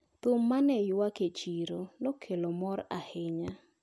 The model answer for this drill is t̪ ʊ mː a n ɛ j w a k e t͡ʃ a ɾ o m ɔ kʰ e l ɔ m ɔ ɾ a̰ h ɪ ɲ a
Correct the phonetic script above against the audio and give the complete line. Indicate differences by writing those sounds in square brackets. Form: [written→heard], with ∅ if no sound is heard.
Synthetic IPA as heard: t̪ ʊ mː a n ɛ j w a k e t͡ʃ [a→i] ɾ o [m→n] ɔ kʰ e l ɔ m ɔ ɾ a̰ h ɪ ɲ a